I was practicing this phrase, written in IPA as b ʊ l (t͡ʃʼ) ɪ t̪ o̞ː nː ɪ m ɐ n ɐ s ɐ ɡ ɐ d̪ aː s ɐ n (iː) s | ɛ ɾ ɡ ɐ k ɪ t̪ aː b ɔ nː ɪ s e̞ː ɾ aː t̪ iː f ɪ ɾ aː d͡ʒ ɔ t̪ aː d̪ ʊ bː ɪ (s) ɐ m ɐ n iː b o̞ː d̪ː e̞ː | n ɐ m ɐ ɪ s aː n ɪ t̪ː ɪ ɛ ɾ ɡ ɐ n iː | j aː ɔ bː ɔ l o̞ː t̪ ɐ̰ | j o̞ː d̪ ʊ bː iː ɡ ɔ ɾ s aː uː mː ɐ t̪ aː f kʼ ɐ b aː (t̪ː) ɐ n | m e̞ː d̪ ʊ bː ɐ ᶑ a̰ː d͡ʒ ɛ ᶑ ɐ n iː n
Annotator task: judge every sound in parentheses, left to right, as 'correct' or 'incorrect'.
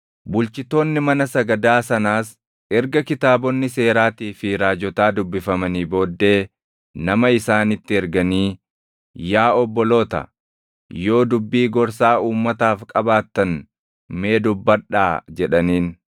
incorrect, incorrect, incorrect, correct

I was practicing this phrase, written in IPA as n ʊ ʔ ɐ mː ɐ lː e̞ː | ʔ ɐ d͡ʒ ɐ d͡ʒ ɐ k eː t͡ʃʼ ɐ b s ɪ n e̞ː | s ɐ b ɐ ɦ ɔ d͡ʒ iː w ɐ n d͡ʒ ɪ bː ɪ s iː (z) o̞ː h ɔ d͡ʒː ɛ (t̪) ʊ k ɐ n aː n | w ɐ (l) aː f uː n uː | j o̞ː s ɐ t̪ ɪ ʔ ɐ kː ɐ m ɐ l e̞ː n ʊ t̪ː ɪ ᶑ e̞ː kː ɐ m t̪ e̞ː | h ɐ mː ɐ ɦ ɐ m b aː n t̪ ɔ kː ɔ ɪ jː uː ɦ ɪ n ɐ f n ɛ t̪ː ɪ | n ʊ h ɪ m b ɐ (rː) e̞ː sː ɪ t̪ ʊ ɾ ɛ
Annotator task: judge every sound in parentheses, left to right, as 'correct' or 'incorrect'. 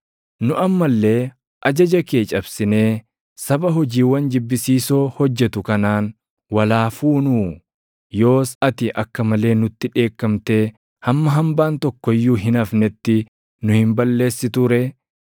incorrect, correct, correct, incorrect

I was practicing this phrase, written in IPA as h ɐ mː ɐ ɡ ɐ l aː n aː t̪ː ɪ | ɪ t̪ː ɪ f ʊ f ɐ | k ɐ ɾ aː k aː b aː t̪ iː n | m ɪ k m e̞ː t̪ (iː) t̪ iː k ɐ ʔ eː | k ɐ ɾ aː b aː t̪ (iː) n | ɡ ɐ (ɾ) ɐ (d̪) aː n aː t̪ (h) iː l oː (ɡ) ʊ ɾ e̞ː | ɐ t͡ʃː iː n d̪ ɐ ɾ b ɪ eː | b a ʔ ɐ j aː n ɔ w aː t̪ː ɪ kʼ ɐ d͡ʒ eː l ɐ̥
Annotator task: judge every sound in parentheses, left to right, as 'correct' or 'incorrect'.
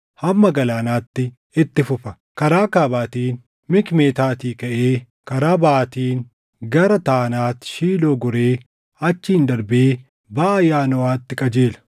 incorrect, correct, correct, incorrect, incorrect, correct

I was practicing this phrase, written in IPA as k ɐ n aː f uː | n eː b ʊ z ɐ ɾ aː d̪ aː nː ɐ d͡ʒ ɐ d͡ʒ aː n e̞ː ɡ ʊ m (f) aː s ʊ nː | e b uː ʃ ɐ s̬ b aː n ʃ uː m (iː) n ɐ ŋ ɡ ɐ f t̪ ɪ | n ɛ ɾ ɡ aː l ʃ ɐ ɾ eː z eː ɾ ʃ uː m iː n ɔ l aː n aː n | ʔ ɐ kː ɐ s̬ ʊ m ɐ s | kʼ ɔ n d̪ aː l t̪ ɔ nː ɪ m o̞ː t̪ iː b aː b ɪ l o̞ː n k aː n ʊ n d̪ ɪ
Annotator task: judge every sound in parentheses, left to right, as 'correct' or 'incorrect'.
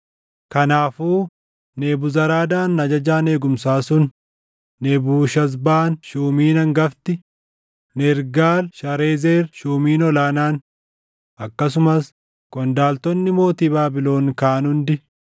incorrect, correct

